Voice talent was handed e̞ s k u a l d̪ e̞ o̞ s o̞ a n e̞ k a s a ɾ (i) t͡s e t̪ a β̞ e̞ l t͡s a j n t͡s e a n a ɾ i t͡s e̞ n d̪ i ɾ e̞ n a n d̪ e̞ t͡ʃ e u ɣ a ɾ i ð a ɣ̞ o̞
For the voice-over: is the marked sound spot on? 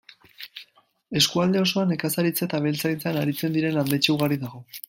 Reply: yes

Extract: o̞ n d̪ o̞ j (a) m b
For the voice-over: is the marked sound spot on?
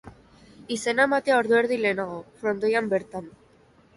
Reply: yes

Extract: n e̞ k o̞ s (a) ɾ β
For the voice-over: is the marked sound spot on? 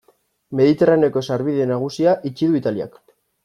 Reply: yes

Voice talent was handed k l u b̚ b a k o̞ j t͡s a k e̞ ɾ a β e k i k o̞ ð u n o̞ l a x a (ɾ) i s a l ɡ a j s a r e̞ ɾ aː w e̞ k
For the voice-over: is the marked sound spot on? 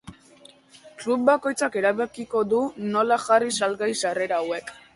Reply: no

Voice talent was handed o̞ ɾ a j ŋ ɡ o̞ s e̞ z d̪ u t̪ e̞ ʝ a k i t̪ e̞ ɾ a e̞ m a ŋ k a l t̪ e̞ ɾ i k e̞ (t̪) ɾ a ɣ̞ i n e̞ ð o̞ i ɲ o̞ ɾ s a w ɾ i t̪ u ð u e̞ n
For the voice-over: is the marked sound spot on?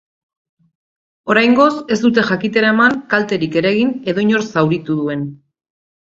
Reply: no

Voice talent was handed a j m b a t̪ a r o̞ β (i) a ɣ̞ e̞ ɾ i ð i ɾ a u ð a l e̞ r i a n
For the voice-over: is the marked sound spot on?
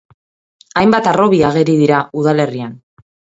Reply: yes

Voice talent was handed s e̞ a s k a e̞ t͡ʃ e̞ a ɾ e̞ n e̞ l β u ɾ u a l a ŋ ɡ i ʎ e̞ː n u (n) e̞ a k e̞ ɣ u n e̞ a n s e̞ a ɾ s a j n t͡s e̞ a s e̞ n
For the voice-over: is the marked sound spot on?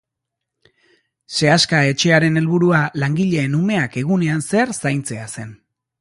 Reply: no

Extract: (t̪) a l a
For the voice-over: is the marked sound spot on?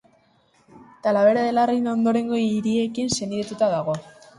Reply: yes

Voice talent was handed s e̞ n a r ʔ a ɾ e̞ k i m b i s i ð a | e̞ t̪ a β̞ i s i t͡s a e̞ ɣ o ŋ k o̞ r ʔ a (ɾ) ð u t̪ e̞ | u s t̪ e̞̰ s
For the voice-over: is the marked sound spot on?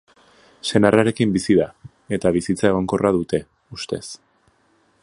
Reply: no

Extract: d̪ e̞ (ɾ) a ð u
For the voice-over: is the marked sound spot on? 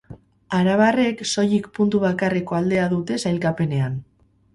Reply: no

